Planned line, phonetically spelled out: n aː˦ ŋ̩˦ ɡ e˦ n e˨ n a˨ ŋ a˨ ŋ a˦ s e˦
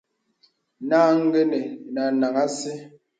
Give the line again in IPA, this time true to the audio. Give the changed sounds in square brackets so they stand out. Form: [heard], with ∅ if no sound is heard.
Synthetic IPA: n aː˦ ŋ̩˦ ɡ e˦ n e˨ n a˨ [n] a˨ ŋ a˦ s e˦